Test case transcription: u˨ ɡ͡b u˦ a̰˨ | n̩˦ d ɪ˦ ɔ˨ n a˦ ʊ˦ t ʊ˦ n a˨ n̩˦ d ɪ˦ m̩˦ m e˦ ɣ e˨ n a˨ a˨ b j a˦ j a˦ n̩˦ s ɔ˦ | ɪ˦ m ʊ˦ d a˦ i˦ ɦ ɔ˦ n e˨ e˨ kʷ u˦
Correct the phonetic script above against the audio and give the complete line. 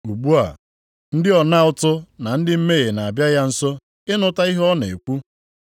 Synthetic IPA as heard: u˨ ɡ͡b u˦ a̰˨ | n̩˦ d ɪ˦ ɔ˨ n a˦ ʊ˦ t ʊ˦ n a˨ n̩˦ d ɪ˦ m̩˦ m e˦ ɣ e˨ n a˨ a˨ b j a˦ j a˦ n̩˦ s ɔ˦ | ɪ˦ n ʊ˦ t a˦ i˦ ɦ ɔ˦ n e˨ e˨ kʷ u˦